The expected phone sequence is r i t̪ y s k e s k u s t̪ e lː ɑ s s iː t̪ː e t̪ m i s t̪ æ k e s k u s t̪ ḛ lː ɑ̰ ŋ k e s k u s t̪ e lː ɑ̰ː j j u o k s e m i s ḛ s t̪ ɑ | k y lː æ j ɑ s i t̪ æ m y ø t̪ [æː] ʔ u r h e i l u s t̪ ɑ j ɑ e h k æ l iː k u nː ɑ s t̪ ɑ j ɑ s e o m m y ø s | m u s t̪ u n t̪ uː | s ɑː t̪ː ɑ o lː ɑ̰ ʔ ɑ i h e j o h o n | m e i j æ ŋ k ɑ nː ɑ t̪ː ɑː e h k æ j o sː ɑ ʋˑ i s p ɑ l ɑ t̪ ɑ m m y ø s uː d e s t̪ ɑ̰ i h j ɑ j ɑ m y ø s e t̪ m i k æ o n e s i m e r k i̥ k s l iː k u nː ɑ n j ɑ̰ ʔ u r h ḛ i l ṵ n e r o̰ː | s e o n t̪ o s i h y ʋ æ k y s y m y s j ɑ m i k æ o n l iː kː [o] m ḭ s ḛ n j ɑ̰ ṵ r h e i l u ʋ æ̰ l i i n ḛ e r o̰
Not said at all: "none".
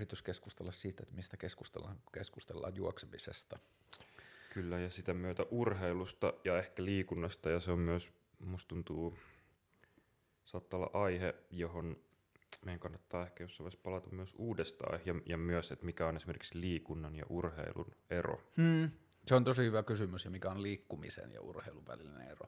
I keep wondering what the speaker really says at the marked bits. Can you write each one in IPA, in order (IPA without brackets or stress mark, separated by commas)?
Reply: æ, u